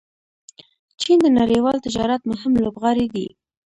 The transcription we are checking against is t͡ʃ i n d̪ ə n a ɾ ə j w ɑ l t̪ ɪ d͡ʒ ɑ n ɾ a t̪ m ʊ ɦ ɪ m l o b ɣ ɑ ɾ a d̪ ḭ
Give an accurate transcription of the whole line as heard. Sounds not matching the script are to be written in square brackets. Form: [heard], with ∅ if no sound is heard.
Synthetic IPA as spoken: t͡ʃ i n d̪ ə n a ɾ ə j w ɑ l t̪ ɪ d͡ʒ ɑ [∅] ɾ a t̪ m ʊ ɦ ɪ m l o b ɣ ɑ ɾ [i] d̪ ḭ

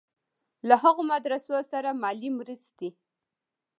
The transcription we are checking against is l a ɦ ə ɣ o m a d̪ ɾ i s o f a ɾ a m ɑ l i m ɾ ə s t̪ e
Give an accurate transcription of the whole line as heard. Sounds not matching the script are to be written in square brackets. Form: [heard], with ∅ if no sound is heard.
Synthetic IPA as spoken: l a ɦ [a] ɣ o m a d̪ ɾ [a] s o [s] a ɾ a m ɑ l i m ɾ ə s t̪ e

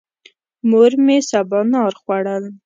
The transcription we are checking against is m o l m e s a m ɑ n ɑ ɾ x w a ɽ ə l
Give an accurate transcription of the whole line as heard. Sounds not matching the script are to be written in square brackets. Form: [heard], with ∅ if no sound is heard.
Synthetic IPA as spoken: m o [ɾ] m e s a [b] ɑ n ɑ ɾ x w a ɽ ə l

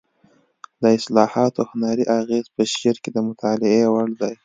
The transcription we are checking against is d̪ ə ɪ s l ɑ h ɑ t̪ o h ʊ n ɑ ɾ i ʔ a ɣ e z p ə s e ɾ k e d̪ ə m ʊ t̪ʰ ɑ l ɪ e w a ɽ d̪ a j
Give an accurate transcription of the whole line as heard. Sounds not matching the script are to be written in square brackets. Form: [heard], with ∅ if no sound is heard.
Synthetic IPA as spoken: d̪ ə ɪ s l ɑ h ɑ t̪ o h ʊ n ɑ ɾ i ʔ a ɣ e z p ə [ʃ] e ɾ k e d̪ ə m ʊ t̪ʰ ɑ l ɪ e w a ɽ d̪ a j

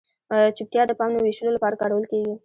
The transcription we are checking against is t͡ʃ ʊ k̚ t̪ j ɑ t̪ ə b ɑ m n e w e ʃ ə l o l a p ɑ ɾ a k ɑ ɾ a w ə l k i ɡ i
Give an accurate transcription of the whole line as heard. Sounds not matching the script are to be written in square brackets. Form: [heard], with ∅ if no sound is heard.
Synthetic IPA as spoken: t͡ʃ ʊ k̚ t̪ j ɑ [d̪] ə [p] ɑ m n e w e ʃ ə l o l a p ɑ ɾ a k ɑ ɾ a w ə l k [e] ɡ i

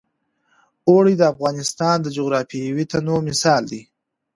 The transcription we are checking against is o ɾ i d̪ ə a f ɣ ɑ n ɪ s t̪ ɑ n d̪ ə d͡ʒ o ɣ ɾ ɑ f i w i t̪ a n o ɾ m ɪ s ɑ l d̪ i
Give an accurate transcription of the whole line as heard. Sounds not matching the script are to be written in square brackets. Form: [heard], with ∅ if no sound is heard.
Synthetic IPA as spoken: o [ɽ] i d̪ ə a f ɣ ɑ n ɪ s t̪ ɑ n d̪ ə d͡ʒ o ɣ ɾ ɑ f i w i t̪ a n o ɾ m ɪ s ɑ l d̪ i

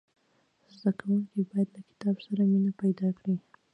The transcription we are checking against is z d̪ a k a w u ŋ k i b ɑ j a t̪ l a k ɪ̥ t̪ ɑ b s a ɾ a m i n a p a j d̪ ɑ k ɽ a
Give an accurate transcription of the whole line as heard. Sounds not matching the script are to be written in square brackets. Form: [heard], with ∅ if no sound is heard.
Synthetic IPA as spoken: z d̪ a k a w u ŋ k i b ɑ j a [d̪] l a k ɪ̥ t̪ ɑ b s a ɾ a m i n a p a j d̪ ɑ k ɽ [i]

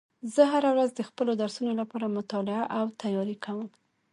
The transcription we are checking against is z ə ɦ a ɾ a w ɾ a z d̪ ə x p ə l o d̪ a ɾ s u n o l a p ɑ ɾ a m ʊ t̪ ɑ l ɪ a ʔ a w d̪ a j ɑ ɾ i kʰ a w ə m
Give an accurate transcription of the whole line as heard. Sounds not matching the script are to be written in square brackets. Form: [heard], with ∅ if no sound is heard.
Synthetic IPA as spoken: z ə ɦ a ɾ a w ɾ a z d̪ ə x p ə l o d̪ a ɾ s u n o l a p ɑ ɾ a m ʊ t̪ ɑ l ɪ a ʔ a w [t̪] a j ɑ ɾ i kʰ a w ə m

